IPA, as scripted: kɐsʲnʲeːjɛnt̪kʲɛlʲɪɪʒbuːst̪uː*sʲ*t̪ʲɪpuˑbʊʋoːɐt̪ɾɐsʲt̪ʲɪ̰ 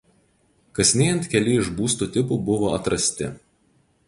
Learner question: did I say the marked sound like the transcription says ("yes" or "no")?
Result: no